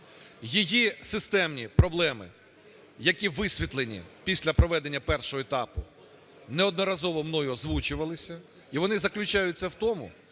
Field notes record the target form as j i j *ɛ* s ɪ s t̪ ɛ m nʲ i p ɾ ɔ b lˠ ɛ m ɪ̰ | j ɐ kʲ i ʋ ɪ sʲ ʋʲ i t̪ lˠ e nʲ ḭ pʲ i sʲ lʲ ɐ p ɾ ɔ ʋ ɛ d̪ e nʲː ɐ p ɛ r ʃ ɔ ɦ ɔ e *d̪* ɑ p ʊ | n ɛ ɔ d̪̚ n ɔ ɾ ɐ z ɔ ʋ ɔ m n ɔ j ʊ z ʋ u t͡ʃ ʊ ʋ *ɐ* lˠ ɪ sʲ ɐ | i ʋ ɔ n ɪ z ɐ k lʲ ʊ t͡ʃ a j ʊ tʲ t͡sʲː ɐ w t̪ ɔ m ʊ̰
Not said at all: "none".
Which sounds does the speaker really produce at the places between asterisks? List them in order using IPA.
i, t̪, ɐ

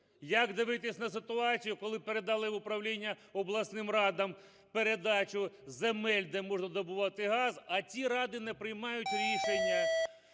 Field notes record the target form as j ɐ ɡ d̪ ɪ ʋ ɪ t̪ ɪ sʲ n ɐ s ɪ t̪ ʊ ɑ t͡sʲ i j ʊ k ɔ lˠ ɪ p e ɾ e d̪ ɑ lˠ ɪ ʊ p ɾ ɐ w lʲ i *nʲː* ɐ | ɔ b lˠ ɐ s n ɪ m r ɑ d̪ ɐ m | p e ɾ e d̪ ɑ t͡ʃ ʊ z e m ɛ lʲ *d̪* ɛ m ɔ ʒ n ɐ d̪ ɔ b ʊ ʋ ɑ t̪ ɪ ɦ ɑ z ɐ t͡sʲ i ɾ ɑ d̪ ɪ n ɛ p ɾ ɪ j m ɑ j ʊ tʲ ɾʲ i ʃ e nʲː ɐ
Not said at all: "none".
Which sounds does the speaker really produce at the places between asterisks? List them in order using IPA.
nʲː, d̪

